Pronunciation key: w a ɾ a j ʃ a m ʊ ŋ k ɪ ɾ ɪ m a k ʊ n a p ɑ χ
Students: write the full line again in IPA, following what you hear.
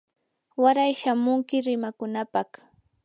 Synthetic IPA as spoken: w a ɾ a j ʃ a m ʊ ŋ k ɪ ɾ ɪ m a k ʊ n a p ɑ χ